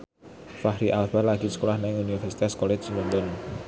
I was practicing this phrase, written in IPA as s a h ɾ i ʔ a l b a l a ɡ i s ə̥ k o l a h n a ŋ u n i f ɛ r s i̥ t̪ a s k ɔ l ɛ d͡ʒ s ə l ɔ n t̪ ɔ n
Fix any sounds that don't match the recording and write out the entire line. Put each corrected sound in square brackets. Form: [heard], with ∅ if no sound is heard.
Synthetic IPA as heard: [f] a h ɾ i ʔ a l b a l a ɡ i s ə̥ k o l a h n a ŋ u n i f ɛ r s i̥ t̪ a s k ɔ l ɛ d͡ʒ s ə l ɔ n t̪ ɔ n